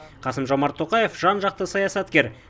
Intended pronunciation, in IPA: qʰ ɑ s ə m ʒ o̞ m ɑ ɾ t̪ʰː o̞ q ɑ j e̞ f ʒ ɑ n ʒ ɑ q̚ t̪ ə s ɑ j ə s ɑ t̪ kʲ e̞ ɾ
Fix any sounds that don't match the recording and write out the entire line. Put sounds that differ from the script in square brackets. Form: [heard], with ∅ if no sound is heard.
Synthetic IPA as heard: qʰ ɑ s ə m ʒ o̞ m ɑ ɾ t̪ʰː o̞ q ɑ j e̞ f ʒ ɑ n ʒ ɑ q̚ t̪ ə s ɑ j [ɑ] s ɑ t̪ kʲ e̞ ɾ